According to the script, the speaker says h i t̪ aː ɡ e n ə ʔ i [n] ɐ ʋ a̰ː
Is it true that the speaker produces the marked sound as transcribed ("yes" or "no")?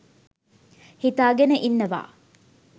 no